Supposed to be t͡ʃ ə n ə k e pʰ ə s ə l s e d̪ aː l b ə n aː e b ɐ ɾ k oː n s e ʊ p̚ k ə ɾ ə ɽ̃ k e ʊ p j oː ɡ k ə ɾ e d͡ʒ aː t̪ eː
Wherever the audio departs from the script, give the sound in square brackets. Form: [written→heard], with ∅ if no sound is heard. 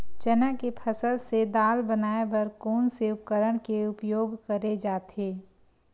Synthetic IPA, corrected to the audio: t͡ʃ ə n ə k e pʰ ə s ə l s e d̪ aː l b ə n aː e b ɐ ɾ k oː n s e ʊ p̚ k ə ɾ ə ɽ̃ k e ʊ p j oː ɡ k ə ɾ e d͡ʒ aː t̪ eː